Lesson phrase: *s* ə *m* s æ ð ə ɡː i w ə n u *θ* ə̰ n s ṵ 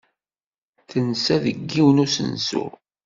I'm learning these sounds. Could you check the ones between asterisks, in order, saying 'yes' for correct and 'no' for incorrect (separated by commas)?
no, no, no